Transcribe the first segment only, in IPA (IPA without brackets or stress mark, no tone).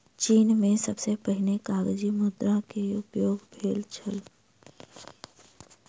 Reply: t͡ʃ